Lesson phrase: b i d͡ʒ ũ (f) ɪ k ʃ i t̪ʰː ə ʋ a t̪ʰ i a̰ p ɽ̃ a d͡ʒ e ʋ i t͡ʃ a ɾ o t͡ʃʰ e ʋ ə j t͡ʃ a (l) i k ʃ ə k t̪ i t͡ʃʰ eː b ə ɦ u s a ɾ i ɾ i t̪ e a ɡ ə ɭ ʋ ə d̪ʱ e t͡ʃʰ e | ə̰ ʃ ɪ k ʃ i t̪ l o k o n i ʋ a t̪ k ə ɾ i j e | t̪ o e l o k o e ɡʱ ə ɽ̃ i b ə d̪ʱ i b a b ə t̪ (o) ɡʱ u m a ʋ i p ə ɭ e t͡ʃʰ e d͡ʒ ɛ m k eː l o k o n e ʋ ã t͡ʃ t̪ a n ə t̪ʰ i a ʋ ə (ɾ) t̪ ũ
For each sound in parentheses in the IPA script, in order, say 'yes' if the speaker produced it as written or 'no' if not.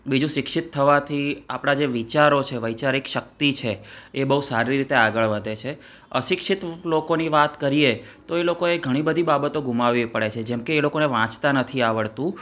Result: no, no, yes, no

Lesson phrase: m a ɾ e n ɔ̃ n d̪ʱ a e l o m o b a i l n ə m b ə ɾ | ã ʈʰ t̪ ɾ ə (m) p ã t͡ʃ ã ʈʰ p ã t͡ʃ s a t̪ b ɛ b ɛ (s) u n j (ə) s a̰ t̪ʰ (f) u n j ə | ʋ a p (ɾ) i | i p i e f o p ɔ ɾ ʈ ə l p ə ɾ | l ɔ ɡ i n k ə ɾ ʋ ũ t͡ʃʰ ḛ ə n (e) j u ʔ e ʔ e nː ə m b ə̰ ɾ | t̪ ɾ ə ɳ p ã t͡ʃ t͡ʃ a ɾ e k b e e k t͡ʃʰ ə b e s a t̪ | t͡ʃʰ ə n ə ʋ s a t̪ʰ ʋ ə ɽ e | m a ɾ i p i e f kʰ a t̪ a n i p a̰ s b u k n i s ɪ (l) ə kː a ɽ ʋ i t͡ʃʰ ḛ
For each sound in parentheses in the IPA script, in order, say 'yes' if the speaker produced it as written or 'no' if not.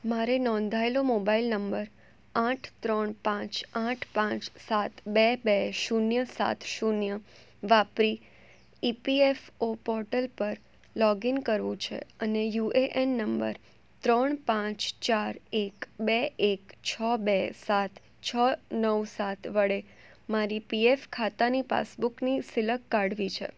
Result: no, no, yes, no, yes, yes, yes

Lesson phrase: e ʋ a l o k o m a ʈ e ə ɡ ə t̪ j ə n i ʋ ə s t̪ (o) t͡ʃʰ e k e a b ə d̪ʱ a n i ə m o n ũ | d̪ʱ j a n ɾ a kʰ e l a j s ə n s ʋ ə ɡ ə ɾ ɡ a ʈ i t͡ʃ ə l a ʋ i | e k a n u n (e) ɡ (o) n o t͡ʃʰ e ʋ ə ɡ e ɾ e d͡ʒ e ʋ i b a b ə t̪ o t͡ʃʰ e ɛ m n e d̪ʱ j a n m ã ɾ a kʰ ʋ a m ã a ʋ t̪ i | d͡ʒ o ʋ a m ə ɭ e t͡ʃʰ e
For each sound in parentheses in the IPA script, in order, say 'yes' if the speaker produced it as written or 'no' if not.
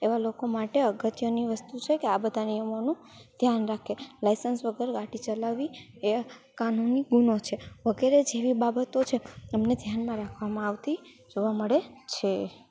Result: no, no, no

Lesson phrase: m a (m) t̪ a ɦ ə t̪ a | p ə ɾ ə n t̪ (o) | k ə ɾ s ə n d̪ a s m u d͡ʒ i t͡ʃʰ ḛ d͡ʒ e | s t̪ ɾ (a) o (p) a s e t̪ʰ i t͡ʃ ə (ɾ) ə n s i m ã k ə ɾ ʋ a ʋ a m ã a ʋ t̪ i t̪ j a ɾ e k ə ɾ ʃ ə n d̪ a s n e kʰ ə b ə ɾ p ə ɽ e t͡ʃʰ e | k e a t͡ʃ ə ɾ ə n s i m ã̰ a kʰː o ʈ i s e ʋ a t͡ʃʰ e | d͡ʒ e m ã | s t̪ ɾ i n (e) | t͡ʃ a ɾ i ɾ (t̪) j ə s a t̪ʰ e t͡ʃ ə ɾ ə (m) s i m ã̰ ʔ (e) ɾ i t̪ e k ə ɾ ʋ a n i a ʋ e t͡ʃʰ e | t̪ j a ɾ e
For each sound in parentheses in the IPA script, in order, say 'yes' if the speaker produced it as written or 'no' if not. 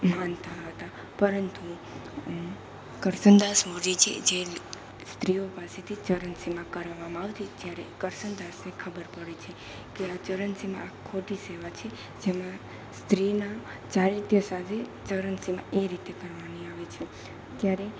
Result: no, no, no, yes, yes, no, yes, no, yes

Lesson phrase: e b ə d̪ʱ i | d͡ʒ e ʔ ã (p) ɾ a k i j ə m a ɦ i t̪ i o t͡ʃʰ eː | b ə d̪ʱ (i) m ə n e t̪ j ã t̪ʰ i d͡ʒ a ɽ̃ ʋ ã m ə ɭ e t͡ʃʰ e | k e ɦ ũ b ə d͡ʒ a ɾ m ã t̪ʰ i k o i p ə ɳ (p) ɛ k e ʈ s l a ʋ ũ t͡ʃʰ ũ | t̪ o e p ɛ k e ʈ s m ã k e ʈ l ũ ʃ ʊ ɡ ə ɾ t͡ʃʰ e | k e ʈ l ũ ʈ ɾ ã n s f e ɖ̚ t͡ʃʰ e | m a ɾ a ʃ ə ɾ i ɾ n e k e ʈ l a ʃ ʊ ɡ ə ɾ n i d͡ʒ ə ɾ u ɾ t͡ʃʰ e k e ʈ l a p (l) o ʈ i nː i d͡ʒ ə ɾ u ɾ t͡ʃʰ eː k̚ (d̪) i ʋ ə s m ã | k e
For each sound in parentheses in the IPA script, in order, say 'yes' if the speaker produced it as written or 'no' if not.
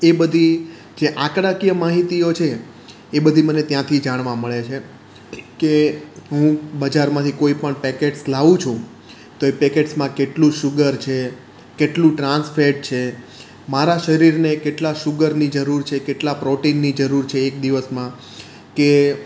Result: no, yes, yes, no, yes

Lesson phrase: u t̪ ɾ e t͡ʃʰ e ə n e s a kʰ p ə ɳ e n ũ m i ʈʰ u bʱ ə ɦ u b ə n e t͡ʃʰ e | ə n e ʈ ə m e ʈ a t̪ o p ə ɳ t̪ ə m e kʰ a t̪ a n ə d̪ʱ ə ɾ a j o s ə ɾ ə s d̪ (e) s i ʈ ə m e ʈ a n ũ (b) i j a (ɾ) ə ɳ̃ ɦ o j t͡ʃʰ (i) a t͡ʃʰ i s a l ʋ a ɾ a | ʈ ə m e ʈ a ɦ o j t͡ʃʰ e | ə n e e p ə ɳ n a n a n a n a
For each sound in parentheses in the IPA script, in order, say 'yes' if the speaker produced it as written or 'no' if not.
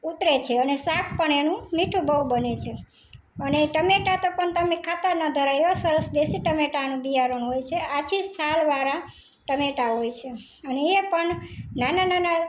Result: yes, yes, yes, no

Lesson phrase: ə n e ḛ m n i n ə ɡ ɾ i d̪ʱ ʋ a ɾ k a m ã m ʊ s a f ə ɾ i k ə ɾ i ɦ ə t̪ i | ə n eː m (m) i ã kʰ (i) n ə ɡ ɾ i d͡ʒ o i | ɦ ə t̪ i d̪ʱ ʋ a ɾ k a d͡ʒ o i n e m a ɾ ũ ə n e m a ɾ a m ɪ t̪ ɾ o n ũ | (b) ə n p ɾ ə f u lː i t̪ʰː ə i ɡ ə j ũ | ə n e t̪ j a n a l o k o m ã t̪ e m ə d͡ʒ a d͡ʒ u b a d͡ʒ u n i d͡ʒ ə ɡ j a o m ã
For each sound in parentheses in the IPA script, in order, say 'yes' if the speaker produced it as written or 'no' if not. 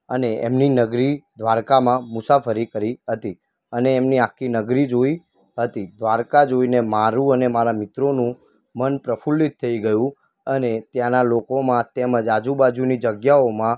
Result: no, yes, no

